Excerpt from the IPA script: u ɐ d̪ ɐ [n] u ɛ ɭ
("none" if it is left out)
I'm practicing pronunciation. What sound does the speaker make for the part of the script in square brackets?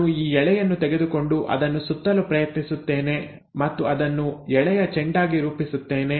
nː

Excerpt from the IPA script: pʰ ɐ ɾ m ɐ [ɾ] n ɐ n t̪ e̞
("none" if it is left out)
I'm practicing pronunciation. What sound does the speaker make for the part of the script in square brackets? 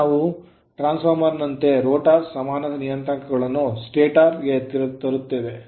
ɾ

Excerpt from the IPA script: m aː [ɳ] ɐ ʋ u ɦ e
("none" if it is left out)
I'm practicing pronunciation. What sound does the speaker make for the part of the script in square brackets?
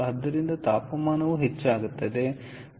n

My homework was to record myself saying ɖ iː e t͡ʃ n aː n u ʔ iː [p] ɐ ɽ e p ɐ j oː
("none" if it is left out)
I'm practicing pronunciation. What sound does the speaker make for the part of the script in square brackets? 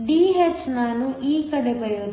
k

